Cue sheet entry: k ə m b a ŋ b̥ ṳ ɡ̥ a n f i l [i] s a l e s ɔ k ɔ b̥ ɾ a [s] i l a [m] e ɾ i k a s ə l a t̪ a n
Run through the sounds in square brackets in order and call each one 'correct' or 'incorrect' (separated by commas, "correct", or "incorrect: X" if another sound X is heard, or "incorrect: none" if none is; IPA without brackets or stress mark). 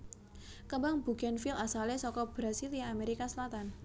incorrect: a, correct, correct